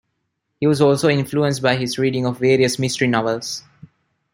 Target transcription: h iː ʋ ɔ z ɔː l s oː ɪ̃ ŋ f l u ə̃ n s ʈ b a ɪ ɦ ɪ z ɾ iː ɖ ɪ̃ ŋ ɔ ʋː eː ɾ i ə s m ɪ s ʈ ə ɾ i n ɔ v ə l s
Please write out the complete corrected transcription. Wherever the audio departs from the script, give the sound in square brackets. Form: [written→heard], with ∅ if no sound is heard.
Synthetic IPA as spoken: h iː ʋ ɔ z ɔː l s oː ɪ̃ [ŋ→n] f l u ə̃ n s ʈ b a ɪ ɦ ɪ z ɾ iː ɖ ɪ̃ ŋ ɔ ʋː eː ɾ i ə s m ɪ s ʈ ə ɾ i n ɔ [v→ʋ] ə l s